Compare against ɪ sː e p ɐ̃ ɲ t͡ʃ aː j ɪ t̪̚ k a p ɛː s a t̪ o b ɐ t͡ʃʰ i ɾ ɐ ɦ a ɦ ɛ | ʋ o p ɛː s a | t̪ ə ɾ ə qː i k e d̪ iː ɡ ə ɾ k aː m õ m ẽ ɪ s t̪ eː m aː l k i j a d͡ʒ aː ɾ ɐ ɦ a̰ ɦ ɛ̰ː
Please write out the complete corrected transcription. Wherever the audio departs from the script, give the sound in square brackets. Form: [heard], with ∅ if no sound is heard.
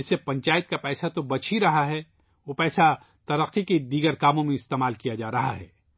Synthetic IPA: ɪ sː e p ɐ̃ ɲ t͡ʃ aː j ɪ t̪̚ k a p ɛː s a t̪ o b ɐ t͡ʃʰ i ɾ ɐ ɦ a ɦ ɛ | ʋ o p ɛː s a | t̪ [ɐ] ɾ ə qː i k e d̪ iː ɡ ə ɾ k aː m õ m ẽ ɪ s t̪ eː m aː l k i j a d͡ʒ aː ɾ ɐ ɦ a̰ ɦ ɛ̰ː